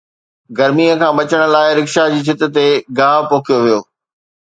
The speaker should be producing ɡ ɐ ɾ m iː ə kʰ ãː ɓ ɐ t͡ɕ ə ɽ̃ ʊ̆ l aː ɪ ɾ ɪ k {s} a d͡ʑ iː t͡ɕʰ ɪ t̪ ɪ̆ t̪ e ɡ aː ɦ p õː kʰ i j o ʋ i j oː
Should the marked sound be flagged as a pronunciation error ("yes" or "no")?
yes